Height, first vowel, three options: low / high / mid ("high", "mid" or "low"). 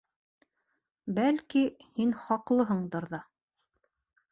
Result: low